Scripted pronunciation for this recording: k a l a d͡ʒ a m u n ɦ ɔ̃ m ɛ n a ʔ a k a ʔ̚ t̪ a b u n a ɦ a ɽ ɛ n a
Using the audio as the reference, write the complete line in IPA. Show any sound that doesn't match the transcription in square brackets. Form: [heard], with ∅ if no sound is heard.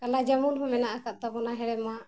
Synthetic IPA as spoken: k a l a d͡ʒ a m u n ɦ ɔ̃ m ɛ n a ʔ a k a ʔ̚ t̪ a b [ɔ] n a ɦ [ɛ] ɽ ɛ [m] a